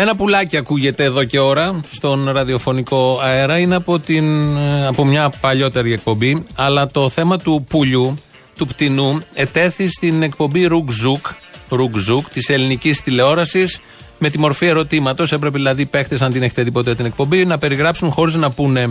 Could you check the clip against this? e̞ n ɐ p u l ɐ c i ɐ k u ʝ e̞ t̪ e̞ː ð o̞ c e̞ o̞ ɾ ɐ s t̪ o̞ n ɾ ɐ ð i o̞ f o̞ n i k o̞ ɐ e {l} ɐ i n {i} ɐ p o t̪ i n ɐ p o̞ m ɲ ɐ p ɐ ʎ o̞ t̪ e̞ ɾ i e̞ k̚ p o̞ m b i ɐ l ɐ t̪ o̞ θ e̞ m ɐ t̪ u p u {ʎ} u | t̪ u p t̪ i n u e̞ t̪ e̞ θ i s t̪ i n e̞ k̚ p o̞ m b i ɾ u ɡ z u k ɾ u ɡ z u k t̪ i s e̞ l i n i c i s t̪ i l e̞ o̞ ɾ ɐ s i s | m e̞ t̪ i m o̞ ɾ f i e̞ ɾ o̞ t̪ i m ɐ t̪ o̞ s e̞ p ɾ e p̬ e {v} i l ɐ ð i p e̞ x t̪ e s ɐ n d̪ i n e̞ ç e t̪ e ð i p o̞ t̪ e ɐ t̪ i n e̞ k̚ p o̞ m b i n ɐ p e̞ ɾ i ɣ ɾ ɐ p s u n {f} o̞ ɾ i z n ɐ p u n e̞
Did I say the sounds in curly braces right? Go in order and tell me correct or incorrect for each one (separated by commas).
incorrect, incorrect, correct, incorrect, incorrect